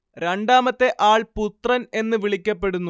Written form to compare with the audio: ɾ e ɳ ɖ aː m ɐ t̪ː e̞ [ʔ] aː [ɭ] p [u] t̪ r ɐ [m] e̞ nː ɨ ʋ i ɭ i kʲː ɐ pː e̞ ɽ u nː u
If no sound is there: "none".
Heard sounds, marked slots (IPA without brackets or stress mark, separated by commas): ʔ, ɭ, u, n